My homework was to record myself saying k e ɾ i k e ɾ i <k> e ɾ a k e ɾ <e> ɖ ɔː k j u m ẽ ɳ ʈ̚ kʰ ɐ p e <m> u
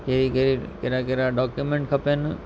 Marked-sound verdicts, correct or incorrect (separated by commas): correct, incorrect, incorrect